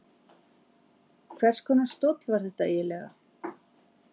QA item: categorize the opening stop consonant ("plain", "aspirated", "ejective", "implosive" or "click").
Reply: aspirated